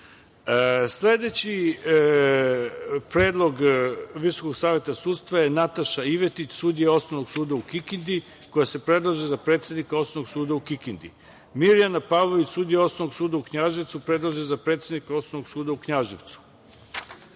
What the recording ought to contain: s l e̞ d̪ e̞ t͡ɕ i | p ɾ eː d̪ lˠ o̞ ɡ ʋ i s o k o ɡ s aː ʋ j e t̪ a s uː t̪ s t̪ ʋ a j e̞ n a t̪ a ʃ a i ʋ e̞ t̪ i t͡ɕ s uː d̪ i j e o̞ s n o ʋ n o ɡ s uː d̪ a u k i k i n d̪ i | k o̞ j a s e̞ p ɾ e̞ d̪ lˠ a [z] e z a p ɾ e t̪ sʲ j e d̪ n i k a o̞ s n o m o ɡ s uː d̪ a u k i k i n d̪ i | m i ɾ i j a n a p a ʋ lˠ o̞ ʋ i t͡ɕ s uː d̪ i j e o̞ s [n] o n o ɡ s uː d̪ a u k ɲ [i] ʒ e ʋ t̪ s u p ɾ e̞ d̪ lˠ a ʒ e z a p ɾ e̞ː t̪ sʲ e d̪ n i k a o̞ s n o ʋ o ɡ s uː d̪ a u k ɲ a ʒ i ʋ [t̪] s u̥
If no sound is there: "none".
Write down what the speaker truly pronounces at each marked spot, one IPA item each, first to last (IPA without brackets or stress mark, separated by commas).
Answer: ʒ, n, a, t̪